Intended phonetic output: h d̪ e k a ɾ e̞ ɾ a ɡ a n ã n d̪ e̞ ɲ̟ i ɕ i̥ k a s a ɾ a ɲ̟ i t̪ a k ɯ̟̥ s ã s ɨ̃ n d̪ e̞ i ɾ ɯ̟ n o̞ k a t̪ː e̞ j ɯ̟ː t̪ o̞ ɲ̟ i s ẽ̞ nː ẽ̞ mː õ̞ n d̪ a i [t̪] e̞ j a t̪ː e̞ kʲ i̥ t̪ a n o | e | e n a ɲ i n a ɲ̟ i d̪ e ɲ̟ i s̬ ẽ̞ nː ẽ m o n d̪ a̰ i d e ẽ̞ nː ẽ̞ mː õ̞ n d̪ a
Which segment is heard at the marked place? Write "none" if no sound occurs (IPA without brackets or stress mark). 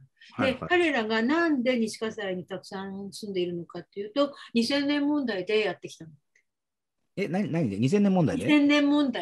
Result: d̪